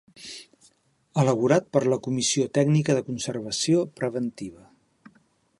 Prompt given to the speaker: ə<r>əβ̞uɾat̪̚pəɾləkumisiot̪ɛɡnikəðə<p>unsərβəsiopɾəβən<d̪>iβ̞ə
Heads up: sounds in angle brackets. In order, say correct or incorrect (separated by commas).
incorrect, incorrect, incorrect